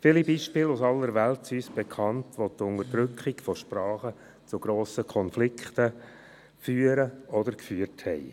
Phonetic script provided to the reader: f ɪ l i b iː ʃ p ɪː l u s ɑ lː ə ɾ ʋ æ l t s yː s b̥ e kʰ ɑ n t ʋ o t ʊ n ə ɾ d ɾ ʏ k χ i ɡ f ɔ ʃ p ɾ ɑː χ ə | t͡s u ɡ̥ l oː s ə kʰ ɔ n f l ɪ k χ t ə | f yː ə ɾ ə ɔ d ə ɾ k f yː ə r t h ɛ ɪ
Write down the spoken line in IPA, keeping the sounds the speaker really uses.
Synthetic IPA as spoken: f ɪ l i b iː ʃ p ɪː l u s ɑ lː ə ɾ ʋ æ l t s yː s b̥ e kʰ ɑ n t ʋ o t ʊ n ə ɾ d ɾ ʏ k χ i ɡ f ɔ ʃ p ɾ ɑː χ ə | t͡s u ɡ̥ ɾ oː s ə kʰ ɔ n f l ɪ k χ t ə | f yː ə ɾ ə ɔ d ə ɾ k f yː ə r t h ɛ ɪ